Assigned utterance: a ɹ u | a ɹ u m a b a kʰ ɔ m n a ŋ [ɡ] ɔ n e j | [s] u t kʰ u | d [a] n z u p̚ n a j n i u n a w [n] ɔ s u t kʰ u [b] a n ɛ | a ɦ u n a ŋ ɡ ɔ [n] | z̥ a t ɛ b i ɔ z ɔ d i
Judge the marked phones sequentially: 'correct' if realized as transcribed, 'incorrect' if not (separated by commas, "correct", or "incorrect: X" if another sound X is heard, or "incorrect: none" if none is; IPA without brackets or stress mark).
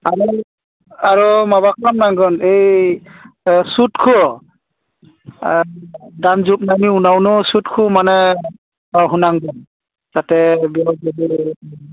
correct, correct, correct, correct, incorrect: m, correct